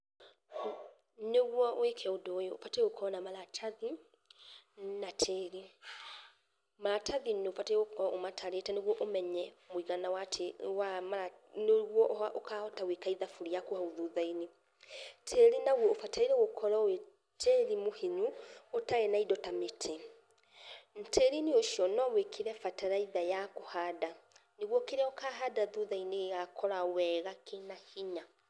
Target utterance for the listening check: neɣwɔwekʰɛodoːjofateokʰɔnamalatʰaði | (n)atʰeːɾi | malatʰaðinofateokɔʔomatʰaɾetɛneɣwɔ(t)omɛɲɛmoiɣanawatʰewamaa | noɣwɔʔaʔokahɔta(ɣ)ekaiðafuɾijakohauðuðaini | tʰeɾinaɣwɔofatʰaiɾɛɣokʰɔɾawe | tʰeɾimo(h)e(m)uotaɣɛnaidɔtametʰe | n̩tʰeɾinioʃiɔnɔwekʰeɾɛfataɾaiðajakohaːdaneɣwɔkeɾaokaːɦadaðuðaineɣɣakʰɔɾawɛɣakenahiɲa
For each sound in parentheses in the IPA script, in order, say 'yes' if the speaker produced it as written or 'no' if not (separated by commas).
yes, no, no, yes, no